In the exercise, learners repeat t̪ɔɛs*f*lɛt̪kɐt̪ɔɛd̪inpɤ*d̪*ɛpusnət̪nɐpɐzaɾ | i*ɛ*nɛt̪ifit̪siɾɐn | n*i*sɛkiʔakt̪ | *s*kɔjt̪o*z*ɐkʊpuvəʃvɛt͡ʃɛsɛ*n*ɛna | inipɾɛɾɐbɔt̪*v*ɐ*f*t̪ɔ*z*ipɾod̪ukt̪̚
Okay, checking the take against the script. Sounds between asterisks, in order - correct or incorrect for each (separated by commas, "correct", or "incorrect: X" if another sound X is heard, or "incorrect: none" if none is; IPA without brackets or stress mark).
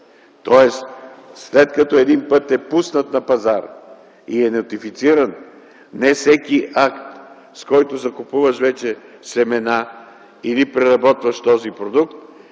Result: incorrect: s, incorrect: t̪, correct, incorrect: ɛ, correct, correct, incorrect: m, correct, incorrect: ʃ, correct